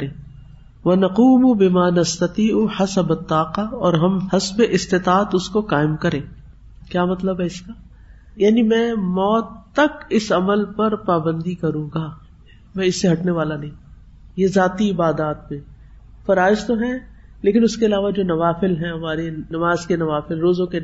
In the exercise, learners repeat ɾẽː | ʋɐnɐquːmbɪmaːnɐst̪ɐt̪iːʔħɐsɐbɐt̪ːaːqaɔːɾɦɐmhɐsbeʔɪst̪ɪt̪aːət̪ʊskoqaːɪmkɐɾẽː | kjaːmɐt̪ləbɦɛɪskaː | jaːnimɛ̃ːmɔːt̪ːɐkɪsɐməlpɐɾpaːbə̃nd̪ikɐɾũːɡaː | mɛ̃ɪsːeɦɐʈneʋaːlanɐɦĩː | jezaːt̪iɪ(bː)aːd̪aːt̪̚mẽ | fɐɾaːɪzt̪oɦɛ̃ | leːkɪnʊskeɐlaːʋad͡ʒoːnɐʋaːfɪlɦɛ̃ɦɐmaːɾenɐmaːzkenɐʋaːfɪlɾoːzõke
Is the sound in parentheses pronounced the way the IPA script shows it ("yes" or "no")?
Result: no